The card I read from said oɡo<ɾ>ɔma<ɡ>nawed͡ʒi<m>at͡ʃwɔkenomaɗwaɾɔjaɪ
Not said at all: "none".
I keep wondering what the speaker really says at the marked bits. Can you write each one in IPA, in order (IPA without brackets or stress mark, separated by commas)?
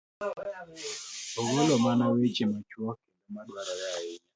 l, none, m